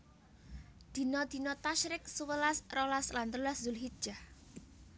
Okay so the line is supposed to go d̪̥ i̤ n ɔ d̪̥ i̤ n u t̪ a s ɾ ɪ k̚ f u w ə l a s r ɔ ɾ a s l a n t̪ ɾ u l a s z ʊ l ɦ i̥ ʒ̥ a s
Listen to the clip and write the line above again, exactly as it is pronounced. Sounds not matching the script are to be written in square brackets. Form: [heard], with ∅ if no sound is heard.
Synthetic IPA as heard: d̪̥ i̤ n ɔ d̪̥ i̤ n [ɔ] t̪ a [ʃ] ɾ ɪ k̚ [s] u w ə l a s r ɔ [l] a s l a n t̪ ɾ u l a s z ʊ l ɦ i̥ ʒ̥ a [h]